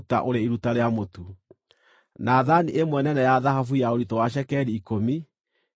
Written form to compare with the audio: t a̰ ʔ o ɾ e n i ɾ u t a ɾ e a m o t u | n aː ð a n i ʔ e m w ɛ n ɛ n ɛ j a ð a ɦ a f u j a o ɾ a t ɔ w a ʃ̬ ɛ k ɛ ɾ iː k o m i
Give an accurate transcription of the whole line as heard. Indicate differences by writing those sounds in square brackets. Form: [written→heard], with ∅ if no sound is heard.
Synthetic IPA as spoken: t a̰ ʔ o ɾ e [n→∅] i ɾ u t a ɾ e a m o t u | n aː ð a n i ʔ e m w ɛ n ɛ n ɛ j a ð a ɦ a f u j a o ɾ [a→i] t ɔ w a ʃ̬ ɛ k ɛ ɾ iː k o m i